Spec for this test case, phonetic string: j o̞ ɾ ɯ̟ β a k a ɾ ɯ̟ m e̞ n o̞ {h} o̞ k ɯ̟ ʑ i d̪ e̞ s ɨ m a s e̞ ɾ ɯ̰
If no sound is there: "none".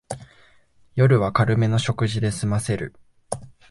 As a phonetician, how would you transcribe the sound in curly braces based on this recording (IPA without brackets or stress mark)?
ɕ